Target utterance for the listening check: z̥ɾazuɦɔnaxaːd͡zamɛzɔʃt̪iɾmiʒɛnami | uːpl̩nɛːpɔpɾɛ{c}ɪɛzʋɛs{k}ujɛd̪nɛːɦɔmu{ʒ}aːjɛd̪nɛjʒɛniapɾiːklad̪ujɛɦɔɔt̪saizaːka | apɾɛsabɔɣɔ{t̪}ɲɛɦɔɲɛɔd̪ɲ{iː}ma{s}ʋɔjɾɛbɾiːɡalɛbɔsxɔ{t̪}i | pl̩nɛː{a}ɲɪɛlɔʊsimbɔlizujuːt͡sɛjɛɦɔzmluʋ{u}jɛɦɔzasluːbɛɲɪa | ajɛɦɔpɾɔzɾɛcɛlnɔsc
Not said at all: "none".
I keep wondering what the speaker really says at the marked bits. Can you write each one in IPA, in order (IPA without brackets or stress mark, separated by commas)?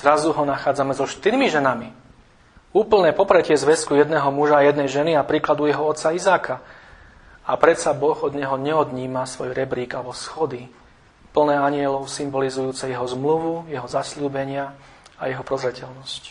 c, k, ʒ, d̪, iː, s, d̪, a, u